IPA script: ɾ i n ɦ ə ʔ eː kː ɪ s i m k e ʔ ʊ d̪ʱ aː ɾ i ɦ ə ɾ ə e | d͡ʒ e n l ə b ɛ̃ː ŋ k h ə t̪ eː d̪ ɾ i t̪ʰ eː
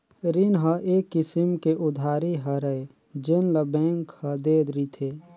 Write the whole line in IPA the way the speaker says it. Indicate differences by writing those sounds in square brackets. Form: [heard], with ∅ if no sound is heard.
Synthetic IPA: ɾ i n ɦ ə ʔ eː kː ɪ s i m k e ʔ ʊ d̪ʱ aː ɾ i ɦ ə ɾ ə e | d͡ʒ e n l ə b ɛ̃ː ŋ k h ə [d̪] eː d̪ ɾ i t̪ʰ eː